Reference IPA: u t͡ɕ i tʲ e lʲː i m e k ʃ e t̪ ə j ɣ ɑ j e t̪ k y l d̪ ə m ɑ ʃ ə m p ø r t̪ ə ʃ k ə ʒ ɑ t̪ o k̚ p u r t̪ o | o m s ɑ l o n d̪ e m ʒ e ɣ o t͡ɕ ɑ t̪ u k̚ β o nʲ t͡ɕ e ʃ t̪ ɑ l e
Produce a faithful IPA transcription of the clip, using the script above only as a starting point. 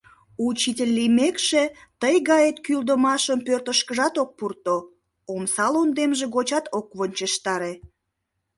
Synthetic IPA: u t͡ɕ i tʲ e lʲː i m e k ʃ e t̪ ə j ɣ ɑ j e t̪ k y l d̪ ə m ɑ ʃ ə m p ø r t̪ ə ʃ k ə ʒ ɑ t̪ o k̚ p u r t̪ o | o m s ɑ l o n d̪ e m ʒ e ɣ o t͡ɕ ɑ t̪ o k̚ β o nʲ t͡ɕ e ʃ t̪ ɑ ɾ e